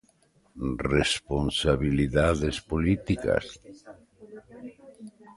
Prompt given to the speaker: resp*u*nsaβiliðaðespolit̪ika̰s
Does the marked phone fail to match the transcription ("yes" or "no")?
yes